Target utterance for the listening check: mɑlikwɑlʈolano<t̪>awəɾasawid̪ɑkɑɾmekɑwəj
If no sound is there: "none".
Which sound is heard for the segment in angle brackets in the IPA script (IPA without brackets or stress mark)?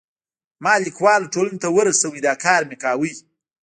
t̪